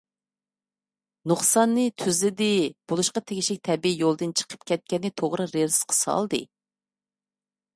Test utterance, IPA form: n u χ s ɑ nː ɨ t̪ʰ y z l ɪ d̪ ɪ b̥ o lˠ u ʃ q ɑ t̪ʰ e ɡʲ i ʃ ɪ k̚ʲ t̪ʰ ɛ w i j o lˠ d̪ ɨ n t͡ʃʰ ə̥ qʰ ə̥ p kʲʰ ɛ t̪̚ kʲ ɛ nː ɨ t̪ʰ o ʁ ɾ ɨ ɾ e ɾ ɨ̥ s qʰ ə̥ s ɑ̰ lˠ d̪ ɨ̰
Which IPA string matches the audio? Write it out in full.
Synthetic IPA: n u χ s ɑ nː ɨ t̪ʰ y z l ɪ d̪ ɪ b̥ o lˠ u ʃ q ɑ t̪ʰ e ɡʲ i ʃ ɪ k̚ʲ t̪ʰ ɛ b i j o lˠ d̪ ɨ n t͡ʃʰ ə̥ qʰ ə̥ p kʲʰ ɛ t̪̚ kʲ ɛ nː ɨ t̪ʰ o ʁ ɾ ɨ ɾ e ɾ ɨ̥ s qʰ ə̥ s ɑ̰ lˠ d̪ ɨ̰